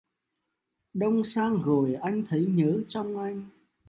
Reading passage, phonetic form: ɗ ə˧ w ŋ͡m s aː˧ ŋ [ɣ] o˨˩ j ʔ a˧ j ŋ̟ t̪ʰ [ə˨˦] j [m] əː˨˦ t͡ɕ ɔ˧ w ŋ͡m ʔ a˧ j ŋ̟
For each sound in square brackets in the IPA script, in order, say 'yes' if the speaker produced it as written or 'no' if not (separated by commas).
yes, yes, no